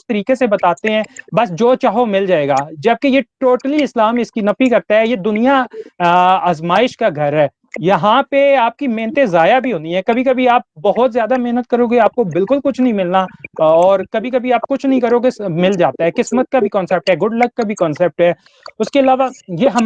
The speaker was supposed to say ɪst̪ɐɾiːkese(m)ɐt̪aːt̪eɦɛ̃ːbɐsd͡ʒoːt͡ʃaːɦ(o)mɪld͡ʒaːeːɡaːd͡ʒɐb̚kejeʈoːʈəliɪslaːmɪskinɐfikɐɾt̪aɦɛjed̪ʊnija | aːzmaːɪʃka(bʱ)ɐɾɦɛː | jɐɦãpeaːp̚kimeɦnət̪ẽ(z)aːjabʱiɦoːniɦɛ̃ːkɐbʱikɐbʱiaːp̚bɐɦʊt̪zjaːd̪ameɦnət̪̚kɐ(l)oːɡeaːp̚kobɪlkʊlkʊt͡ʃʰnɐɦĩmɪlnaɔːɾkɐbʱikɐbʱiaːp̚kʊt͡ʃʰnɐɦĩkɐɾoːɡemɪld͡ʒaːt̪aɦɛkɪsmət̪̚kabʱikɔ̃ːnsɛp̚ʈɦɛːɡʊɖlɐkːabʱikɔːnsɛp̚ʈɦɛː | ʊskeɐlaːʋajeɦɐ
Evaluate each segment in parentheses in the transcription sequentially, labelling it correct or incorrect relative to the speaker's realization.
incorrect: b, correct, incorrect: ɡʱ, correct, incorrect: ɾ

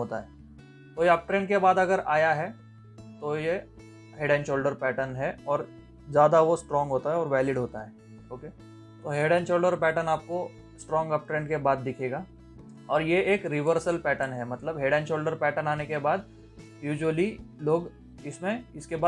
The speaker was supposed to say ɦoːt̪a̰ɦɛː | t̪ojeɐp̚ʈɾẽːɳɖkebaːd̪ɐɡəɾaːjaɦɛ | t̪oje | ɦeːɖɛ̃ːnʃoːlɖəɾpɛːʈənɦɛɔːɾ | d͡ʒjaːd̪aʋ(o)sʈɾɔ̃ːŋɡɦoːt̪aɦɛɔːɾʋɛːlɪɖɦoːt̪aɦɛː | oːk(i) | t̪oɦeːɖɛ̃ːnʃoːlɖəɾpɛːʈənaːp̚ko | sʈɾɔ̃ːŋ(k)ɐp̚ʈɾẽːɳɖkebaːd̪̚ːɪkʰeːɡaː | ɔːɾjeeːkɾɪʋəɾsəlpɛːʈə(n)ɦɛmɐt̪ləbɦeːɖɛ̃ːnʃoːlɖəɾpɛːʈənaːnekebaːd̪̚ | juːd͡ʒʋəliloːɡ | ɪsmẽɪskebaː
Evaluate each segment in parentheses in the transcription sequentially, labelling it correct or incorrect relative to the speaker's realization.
correct, incorrect: e, incorrect: ɡ, correct

